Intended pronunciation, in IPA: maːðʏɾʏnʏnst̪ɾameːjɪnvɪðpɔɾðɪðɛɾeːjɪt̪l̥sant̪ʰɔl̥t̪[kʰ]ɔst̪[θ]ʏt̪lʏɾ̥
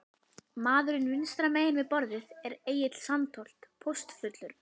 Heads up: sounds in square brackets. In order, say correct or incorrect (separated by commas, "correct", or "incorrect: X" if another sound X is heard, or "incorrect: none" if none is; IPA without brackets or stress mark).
incorrect: pʰ, incorrect: f